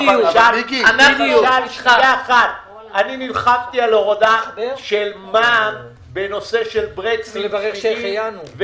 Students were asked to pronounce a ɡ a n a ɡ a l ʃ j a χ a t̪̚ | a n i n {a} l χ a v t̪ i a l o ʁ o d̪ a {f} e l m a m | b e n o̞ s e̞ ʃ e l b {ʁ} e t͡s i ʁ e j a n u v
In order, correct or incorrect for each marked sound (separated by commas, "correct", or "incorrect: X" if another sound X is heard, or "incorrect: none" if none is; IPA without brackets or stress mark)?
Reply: incorrect: i, incorrect: ʃ, correct